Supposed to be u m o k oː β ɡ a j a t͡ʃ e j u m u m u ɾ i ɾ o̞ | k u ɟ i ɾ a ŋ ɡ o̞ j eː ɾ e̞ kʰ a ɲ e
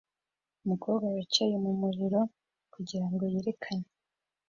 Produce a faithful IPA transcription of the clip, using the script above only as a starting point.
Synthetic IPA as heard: u m u k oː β ɡ a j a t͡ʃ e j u m u m u ɾ i ɾ o̞ | k u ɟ i ɾ a ŋ ɡ o̞ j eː ɾ e̞ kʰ a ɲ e